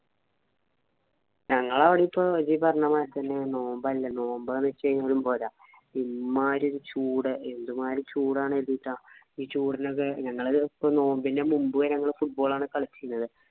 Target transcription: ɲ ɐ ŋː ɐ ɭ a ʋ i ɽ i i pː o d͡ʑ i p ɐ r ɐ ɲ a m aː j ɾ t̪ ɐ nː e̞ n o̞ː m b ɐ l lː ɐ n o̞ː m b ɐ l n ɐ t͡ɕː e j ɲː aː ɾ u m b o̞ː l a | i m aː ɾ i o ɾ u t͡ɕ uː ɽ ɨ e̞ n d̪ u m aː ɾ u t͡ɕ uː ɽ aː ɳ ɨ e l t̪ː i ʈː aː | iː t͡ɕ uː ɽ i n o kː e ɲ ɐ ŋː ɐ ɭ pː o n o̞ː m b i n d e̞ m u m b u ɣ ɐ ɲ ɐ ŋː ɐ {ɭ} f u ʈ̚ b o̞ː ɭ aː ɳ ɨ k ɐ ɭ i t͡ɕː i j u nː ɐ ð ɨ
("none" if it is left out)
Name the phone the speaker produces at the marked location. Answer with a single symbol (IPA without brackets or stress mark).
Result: ɭ